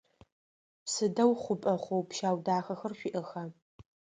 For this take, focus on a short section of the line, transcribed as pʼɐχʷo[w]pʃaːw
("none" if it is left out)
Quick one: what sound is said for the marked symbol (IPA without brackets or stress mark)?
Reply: w